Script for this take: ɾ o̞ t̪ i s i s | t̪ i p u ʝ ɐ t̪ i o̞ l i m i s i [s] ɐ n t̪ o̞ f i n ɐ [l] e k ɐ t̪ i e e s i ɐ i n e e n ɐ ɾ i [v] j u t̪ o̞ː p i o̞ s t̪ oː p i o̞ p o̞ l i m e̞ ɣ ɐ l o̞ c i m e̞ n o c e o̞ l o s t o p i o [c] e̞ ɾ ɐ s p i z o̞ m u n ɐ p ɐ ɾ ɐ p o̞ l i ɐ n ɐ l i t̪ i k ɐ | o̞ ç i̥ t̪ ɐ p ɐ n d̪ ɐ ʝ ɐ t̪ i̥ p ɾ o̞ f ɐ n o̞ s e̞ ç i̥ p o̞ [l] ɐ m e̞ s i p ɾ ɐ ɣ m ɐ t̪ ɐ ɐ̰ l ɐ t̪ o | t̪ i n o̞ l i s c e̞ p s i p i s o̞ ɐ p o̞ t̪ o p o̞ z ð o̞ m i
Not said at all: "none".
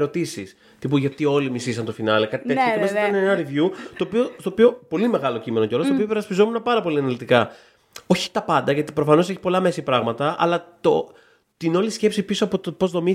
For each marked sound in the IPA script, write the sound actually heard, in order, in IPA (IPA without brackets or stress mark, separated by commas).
s, l, v, p, l